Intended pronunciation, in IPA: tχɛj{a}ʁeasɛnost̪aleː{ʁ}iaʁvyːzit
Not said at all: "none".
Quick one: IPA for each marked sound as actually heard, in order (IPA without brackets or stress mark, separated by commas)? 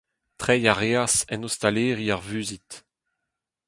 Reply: a, ʁ